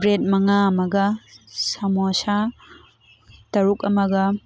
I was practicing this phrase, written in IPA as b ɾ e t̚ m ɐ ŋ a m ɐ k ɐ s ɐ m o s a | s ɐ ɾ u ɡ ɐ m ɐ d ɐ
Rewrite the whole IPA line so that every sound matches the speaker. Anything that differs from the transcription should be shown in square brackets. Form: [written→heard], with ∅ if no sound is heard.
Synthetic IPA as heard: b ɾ e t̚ m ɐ ŋ a m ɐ [k→ɡ] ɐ s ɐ m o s a | [s→t] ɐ ɾ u [ɡ→k] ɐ m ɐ [d→ɡ] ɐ